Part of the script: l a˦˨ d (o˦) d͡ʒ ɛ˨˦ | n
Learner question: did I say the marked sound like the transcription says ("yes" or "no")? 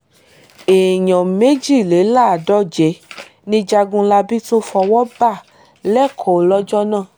no